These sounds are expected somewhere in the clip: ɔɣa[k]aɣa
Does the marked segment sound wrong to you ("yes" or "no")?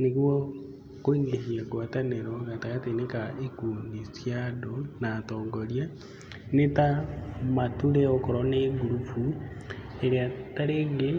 yes